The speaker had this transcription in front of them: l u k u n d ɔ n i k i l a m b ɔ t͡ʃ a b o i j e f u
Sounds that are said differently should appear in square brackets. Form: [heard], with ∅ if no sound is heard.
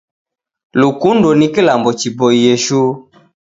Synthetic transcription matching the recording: l u k u n d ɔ n i k i l a m b ɔ t͡ʃ [i] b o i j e [ʃ] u